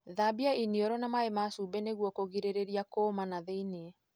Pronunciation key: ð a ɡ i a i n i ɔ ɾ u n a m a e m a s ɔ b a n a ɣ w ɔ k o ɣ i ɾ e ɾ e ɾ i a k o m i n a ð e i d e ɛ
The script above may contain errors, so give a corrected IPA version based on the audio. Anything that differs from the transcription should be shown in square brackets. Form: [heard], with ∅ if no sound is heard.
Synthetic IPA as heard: ð a [b] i a i n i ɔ ɾ [ɔ] n a m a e m a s [u] b [ɛ] n [e] ɣ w ɔ k o ɣ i ɾ e ɾ e ɾ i a k o m [a] n a ð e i [n] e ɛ

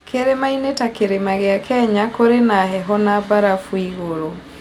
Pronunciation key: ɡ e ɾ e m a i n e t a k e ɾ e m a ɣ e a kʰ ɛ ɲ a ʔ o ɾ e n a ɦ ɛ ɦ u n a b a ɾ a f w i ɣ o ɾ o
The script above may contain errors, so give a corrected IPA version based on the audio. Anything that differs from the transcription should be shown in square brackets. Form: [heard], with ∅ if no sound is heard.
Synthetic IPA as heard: [k] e ɾ e m a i n e t a k e ɾ e m a ɣ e a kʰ ɛ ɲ a [k] o ɾ e n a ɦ ɛ ɦ [ɔ] n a b a ɾ a f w i ɣ o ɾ o

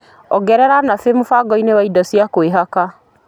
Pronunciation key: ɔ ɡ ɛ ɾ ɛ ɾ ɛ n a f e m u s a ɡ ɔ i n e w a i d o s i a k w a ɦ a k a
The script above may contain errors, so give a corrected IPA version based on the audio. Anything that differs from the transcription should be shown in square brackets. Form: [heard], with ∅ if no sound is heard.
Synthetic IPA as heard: ɔ ɡ ɛ ɾ ɛ ɾ [a] n a f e m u [f] a ɡ ɔ i n e w a i d [ɔ] s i a k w [e] ɦ a k a

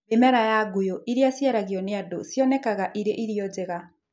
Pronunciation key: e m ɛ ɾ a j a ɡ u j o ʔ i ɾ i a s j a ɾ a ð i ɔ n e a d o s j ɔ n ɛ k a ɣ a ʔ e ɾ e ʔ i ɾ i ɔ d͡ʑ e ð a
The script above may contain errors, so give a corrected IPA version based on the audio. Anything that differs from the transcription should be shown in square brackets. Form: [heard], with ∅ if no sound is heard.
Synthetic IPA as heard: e m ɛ ɾ a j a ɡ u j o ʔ i ɾ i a s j a ɾ a [ɣ] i ɔ n e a d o s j ɔ n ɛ k a ɣ a ʔ [i] ɾ e ʔ i ɾ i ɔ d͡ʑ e [ɣ] a

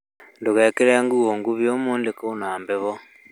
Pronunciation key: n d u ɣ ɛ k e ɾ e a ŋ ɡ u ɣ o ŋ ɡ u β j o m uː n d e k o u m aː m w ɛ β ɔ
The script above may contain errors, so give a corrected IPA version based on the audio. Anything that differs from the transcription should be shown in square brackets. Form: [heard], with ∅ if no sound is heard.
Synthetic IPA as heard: n d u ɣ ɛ k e ɾ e a ŋ ɡ u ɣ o ŋ ɡ u β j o m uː n d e k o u [n] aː m [b] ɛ β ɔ

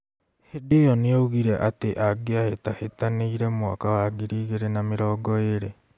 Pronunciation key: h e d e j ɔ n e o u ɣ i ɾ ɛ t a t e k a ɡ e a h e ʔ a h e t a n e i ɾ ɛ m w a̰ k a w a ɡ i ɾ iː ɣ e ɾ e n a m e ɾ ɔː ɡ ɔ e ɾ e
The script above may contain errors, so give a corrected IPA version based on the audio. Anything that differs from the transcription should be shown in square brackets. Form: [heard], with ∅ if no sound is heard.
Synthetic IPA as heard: h e d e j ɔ n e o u ɣ i ɾ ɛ [ʔ] a t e [ʔ] a ɡ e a h e [t] a h e t a n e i ɾ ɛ m w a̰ k a w a ɡ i ɾ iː ɣ e ɾ e n a m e ɾ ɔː ɡ ɔ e ɾ e

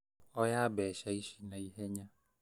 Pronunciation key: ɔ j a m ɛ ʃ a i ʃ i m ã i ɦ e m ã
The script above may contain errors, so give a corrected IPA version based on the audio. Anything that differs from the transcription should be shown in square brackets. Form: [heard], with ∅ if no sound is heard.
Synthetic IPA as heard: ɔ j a [b] ɛ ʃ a i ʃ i [n] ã i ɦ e [ɲ] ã

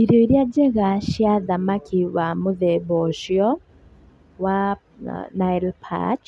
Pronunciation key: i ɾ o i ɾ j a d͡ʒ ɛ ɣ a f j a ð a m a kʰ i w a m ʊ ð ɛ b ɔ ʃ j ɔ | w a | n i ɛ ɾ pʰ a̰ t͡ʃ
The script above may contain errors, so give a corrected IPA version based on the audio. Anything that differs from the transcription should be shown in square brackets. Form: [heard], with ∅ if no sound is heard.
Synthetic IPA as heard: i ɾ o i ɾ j a d͡ʒ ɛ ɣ a [ʃ] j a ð a m a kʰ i w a m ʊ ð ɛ b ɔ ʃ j ɔ | w a | n [a] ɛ [l] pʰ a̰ t͡ʃ

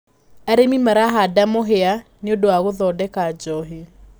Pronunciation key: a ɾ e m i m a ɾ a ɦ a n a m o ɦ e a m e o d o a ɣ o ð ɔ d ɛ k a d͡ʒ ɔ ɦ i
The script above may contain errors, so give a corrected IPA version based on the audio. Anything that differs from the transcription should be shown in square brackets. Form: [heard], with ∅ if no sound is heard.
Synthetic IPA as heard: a ɾ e m i m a ɾ a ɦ a [d] a m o ɦ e a [n] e o d o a ɣ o ð ɔ d ɛ k a d͡ʒ ɔ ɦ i

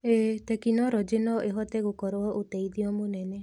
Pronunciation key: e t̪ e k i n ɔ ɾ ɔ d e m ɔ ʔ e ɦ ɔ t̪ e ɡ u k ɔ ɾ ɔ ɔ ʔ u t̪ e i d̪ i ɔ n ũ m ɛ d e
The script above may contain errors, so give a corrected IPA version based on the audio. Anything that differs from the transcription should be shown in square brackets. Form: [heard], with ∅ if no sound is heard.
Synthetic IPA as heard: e t̪ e k i n ɔ ɾ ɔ [d͡ʒ] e [n] ɔ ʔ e ɦ ɔ t̪ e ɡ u k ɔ ɾ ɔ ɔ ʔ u t̪ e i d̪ i ɔ [m] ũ [n] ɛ [n] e

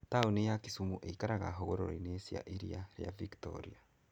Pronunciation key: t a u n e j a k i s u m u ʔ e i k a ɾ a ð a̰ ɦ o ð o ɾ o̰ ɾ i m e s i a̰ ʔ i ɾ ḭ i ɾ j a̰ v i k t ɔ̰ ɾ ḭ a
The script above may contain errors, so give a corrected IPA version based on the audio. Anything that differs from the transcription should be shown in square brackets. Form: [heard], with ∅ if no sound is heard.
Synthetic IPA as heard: t a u n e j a k i s u m u ʔ e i k a ɾ a [ɣ] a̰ ɦ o [ɣ] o ɾ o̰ ɾ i [n] e s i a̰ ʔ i ɾ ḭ [a] ɾ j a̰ v i k t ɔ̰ ɾ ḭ a

